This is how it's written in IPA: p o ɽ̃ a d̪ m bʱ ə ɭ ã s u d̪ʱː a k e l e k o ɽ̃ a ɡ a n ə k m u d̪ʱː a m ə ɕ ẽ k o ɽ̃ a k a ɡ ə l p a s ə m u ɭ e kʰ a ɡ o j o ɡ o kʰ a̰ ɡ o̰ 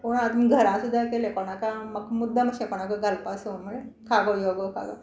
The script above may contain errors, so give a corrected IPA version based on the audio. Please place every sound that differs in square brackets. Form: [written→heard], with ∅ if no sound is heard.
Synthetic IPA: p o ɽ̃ a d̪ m [bʱ→ɡʱ] ə [ɭ→ɾ] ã s u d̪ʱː a k e l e k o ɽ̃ a [ɡ→k] a [n→m] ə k m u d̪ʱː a m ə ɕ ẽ k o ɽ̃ a k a ɡ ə l p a s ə m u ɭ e kʰ a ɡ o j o ɡ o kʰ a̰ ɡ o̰

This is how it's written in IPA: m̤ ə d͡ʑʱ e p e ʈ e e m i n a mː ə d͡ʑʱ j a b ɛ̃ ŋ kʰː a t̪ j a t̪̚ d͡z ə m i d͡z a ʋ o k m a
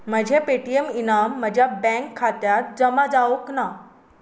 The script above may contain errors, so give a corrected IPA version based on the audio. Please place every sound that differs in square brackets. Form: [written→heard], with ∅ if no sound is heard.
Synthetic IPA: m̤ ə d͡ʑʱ e p e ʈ [e→i] e m i n a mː ə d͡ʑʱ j a b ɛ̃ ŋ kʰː a t̪ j a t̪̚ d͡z ə m [i→a] d͡z a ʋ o k [m→n] a

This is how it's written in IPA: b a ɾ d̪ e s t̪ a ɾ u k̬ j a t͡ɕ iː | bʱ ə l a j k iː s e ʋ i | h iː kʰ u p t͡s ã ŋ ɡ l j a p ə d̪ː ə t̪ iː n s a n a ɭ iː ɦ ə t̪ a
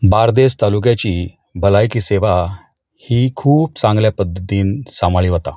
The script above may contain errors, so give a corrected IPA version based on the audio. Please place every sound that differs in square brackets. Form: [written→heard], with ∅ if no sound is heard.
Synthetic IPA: b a ɾ d̪ e s t̪ a [ɾ→l] u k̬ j a t͡ɕ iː | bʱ ə l a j k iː s e ʋ [i→a] | h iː kʰ [u→uː] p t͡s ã ŋ ɡ l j a p ə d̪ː ə t̪ iː n s a [n→m] a ɭ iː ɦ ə t̪ a

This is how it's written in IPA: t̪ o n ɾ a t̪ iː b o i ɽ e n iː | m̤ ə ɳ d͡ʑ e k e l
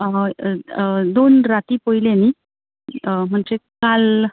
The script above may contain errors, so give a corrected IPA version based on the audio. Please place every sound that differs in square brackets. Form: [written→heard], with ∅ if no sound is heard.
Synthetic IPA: [t̪→d̪] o n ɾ a t̪ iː [b→p] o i [ɽ→l] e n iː | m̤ ə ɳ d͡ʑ e k [e→a] l

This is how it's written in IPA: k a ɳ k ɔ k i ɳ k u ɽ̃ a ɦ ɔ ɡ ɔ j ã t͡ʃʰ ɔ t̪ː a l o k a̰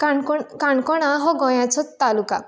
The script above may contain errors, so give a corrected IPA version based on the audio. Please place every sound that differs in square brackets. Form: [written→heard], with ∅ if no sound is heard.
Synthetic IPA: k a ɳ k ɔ k [i→a] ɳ k [u→ɔ] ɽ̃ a ɦ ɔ ɡ ɔ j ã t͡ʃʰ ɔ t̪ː a l [o→u] k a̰

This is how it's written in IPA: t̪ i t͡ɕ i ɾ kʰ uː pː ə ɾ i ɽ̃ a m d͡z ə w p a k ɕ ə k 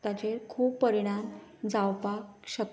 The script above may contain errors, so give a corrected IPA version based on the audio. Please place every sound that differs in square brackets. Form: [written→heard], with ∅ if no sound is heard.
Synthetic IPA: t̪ [i→a] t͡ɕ [i→e] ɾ kʰ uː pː ə ɾ i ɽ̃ a m d͡z [ə→a] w p a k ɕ ə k

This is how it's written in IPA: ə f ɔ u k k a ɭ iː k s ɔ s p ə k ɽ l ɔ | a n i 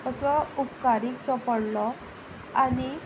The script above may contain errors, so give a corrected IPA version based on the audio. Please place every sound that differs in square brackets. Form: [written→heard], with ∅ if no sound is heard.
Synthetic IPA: ə [f→s] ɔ u [k→p] k a [ɭ→ɾ] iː k s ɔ [s→∅] p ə [k→∅] ɽ l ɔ | a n i

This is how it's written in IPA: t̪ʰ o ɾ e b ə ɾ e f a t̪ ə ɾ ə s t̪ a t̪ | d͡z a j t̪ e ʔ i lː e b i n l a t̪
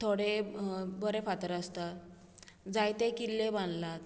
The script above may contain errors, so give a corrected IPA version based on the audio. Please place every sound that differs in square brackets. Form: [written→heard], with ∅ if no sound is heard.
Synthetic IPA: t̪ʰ o [ɾ→ɽ] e b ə ɾ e f a t̪ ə ɾ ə s t̪ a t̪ | d͡z a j t̪ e [ʔ→k] i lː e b [i→a] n l a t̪

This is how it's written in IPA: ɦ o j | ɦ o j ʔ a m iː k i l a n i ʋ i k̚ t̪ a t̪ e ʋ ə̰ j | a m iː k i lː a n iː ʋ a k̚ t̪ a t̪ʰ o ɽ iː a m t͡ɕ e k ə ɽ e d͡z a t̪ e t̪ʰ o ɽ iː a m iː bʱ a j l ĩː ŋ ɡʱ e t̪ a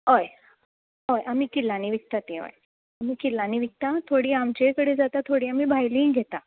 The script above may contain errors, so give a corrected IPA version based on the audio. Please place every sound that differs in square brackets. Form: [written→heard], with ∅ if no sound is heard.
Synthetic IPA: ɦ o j | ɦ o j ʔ a m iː k i l a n i ʋ i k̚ t̪ a t̪ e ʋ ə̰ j | a m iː k i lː a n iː ʋ [a→i] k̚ t̪ a t̪ʰ o ɽ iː a m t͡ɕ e k ə ɽ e d͡z a t̪ [e→a] t̪ʰ o ɽ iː a m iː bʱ a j l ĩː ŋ ɡʱ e t̪ a

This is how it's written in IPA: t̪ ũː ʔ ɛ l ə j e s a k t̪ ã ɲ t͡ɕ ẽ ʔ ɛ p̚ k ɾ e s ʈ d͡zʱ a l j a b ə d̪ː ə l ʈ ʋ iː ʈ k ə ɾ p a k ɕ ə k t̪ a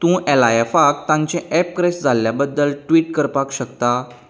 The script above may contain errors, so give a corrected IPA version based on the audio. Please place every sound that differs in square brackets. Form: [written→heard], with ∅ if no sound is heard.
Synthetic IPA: t̪ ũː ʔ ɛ l [ə→a] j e [s→f] a k t̪ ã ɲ t͡ɕ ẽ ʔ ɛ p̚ k ɾ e s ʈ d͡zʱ a l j a b ə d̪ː ə l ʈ ʋ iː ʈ k ə ɾ p a k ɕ ə k t̪ a

